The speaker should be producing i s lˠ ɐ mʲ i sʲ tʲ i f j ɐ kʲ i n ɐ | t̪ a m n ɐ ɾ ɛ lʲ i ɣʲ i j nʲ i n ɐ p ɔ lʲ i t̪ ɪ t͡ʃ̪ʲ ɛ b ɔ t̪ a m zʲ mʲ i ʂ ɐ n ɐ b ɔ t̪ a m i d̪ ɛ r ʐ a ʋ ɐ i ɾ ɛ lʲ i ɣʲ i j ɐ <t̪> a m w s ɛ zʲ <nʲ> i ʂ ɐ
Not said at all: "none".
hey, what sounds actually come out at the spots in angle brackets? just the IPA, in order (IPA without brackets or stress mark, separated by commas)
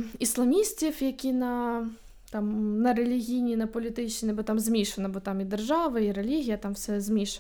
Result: t̪, mʲ